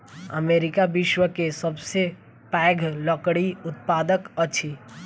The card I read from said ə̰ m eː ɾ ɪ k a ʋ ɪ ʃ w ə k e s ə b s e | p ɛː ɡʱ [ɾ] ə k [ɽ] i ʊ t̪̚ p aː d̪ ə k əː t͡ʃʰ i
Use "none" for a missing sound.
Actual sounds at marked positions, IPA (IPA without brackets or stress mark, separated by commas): l, ɽ